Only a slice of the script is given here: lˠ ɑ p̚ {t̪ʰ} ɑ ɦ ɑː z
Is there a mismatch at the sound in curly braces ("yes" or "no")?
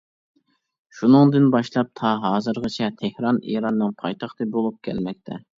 no